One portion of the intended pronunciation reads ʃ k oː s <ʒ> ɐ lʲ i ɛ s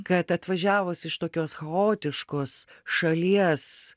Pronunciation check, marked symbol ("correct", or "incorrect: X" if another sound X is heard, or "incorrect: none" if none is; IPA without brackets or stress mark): incorrect: ʃ